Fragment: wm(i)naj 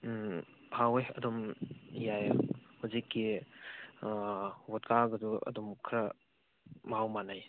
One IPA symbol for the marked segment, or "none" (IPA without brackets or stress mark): a